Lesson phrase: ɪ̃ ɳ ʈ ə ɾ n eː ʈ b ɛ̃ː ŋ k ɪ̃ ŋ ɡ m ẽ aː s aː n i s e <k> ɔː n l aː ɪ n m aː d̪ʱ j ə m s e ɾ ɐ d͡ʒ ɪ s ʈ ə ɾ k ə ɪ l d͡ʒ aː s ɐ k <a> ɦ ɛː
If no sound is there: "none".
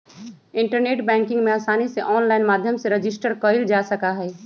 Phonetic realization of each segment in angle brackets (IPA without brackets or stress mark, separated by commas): ʔ, a